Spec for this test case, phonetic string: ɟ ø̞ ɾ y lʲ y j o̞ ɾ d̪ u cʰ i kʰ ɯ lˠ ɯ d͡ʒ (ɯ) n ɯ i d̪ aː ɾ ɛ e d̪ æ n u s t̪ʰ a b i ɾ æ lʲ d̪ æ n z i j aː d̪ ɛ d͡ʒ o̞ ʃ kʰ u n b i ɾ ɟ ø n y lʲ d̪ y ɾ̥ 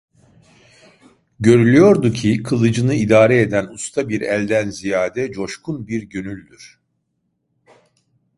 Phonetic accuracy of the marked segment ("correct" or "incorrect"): correct